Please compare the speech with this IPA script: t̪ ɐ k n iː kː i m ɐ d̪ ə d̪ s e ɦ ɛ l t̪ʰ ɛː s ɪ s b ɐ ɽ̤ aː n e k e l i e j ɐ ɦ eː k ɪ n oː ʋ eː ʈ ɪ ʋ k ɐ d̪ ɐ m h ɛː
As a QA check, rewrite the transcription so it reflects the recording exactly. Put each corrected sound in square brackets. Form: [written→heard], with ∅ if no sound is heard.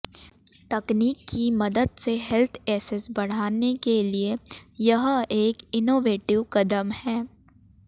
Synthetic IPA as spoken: t̪ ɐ k n iː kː i m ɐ d̪ ə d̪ s e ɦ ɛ l t̪ʰ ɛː s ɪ s b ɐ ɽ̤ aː n e k e l i e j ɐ ɦ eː k ɪ n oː ʋ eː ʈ ɪ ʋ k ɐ d̪ [ɐ→ə] m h ɛː

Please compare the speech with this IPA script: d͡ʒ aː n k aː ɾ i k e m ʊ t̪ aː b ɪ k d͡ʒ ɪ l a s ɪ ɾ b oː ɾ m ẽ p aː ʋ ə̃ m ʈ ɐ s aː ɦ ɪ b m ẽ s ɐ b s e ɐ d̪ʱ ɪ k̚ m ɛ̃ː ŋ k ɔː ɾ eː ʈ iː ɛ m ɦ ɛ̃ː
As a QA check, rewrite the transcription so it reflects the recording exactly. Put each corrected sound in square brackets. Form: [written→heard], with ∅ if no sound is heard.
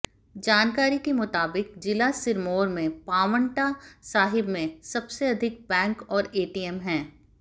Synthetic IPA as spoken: d͡ʒ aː n k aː ɾ i k e m ʊ t̪ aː b ɪ k d͡ʒ ɪ l a s ɪ ɾ [b→m] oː ɾ m ẽ p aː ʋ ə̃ [m→ɳ] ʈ [ɐ→a] s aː ɦ ɪ b m ẽ s ɐ b s e ɐ d̪ʱ ɪ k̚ [m→b] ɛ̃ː ŋ k ɔː ɾ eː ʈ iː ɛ m ɦ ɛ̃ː

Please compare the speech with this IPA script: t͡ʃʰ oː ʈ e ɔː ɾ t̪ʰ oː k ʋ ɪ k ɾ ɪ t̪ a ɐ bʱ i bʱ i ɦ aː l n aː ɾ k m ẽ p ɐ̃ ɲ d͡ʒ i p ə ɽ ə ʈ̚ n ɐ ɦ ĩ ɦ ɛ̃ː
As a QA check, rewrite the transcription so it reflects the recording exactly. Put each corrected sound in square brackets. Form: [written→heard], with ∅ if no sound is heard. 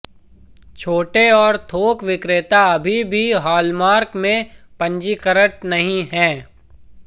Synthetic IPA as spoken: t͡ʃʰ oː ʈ e ɔː ɾ t̪ʰ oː k ʋ ɪ k ɾ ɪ t̪ a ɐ bʱ i bʱ i ɦ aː l [n→m] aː ɾ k m ẽ p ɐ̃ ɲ d͡ʒ i [p→k] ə [ɽ→ɾ] ə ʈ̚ n ɐ ɦ ĩ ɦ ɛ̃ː

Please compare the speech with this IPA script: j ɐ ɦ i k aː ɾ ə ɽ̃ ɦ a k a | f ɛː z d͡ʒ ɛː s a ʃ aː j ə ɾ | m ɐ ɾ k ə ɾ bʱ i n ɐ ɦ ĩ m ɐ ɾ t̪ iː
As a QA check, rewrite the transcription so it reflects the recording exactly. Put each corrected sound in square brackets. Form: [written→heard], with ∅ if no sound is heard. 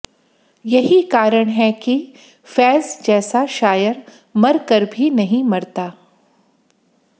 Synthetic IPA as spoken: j ɐ ɦ i k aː ɾ ə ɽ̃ ɦ [a→ɛ] k [a→i] | f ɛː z d͡ʒ ɛː s a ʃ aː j ə ɾ | m ɐ ɾ k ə ɾ bʱ i n ɐ ɦ ĩ m ɐ ɾ t̪ [iː→aː]

